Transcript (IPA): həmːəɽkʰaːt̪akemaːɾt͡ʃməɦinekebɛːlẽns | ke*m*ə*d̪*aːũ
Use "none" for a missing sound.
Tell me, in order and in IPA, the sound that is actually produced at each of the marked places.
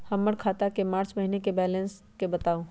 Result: b, t̪

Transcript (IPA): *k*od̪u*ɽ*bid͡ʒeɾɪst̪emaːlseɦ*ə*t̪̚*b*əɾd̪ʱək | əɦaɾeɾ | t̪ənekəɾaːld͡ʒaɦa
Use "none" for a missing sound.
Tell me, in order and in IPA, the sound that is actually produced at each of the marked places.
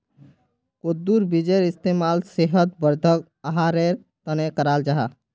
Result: k, ɾ, ə, b

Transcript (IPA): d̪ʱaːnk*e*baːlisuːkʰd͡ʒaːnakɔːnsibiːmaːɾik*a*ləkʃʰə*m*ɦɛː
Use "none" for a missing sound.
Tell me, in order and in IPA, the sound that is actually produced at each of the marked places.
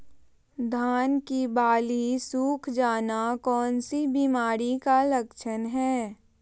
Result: i, a, n

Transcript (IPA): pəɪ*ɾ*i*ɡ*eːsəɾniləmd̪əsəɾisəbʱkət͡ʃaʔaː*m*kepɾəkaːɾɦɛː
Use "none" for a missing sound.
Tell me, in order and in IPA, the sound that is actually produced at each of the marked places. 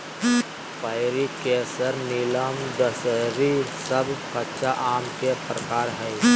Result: ɾ, k, m

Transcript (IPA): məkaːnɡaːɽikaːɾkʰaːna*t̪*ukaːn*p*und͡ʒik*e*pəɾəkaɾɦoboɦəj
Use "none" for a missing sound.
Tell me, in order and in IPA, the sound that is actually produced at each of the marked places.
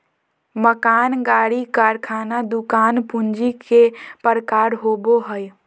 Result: d̪, p, e

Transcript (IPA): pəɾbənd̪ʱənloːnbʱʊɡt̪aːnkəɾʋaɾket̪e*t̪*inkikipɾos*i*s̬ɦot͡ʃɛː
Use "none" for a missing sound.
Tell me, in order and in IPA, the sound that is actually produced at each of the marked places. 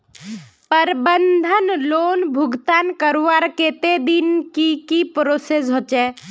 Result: d̪, e

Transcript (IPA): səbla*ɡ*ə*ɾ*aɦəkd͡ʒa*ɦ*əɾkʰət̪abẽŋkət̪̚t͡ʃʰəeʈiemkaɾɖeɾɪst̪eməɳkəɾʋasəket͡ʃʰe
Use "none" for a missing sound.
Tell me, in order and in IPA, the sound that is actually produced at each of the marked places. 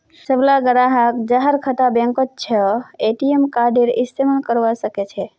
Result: ɡ, ɾ, ɦ

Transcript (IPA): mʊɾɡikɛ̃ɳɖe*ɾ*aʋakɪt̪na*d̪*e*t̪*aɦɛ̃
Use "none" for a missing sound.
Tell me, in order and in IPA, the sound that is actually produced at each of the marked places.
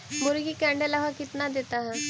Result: l, d̪, t̪

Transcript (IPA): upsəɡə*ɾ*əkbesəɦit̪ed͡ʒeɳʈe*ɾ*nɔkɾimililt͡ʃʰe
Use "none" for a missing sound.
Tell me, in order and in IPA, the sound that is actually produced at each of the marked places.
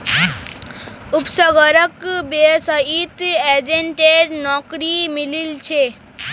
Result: ɾ, ɾ

